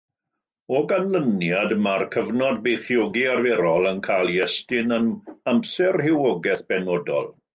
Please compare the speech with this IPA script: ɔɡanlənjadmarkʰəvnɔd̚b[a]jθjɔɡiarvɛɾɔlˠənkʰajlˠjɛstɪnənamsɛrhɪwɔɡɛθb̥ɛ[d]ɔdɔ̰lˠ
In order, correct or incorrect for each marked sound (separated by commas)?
incorrect, incorrect